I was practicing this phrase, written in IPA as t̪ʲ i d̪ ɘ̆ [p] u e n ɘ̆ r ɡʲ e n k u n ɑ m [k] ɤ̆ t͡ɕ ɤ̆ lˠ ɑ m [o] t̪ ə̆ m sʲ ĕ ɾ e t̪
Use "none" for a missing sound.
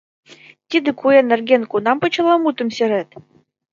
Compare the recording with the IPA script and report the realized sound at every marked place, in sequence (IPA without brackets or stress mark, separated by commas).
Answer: k, p, u